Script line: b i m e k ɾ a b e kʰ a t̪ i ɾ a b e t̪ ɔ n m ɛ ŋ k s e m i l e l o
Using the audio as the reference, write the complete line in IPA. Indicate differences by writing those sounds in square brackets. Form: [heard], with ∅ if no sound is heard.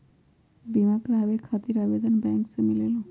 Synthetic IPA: b i m [a] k ɾ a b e kʰ a t̪ i ɾ a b e [d̪] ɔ n [b] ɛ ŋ k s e m i l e l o